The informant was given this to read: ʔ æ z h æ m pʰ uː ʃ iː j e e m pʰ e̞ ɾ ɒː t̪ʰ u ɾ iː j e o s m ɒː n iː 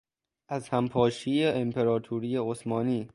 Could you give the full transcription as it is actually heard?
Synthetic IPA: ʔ æ z h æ m pʰ ɒː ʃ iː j e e m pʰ e̞ ɾ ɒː t̪ʰ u ɾ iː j e o s m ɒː n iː